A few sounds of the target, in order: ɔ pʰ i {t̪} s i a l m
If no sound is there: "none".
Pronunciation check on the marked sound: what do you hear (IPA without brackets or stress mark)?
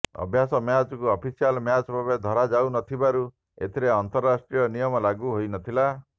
none